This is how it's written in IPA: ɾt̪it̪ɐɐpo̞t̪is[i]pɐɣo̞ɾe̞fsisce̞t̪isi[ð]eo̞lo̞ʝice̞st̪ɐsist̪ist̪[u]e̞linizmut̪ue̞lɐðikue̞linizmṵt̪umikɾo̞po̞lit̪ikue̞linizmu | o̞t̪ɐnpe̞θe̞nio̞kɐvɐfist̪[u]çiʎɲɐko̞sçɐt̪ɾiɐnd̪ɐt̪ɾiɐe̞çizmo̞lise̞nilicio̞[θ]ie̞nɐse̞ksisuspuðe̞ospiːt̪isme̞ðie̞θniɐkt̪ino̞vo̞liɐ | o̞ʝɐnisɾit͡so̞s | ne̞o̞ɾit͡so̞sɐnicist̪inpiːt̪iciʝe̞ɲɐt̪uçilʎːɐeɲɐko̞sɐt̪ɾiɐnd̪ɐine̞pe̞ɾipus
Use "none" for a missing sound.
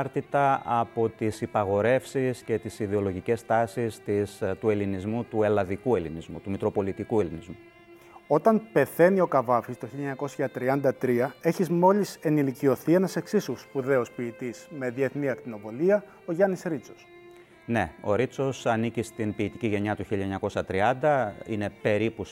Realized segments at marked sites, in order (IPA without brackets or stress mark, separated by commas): i, ð, u, o, θ